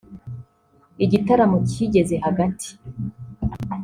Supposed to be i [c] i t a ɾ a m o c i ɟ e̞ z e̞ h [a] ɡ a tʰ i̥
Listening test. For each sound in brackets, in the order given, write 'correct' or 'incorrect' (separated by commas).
incorrect, correct